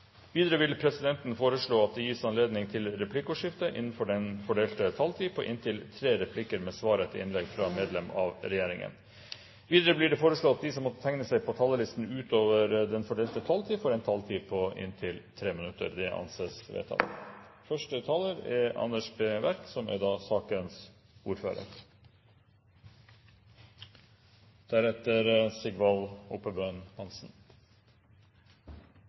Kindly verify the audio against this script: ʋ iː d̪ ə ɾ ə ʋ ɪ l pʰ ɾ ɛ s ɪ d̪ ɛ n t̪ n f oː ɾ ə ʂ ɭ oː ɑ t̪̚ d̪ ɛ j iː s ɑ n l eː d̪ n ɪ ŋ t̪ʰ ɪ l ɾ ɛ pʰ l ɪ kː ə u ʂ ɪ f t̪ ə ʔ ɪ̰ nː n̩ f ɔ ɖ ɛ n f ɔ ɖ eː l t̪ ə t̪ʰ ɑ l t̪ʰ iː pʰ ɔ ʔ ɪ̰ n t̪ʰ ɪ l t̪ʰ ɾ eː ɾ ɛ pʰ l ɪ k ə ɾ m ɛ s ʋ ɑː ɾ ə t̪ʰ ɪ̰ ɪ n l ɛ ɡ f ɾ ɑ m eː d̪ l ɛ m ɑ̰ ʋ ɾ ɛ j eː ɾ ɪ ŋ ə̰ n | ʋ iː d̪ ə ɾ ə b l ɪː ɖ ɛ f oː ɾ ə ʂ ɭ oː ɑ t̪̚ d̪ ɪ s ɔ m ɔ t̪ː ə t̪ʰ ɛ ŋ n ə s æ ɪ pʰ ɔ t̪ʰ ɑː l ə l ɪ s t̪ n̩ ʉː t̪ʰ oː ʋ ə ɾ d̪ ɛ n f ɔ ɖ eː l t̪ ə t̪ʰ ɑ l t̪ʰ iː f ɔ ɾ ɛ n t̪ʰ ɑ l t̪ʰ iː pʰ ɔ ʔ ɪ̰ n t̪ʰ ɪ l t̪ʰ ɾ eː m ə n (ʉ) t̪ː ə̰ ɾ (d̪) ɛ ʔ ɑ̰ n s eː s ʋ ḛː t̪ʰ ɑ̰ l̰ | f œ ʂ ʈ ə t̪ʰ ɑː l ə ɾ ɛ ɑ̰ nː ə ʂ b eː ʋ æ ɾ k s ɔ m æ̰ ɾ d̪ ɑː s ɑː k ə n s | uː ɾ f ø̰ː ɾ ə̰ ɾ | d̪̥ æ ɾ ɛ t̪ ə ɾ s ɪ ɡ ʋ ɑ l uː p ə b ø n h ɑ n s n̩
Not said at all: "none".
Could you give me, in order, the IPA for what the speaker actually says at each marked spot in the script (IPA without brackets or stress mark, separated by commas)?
ʉ, d̪